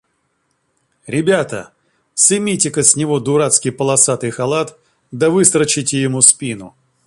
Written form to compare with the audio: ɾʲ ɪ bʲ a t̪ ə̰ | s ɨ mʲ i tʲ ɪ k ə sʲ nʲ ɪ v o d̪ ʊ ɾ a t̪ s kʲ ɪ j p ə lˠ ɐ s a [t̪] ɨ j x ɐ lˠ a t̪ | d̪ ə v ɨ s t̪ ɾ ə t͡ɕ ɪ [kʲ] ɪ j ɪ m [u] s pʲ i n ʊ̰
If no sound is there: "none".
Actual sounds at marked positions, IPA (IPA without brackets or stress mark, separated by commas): t̪, tʲ, u